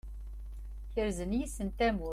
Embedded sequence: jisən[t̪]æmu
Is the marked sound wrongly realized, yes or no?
no